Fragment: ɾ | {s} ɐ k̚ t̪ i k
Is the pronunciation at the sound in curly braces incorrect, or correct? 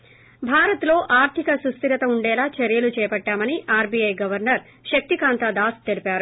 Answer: incorrect